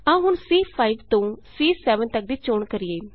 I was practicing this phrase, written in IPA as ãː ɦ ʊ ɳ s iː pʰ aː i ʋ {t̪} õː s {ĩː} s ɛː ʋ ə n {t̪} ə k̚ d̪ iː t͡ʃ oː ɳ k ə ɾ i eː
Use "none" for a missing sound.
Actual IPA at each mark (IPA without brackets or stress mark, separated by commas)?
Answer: t̪, iː, t̪